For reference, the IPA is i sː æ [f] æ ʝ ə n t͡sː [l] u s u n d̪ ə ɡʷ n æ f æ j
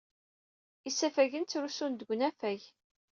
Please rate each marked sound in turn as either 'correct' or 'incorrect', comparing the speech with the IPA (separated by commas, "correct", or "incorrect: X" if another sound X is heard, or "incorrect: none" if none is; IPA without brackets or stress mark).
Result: correct, incorrect: ɾ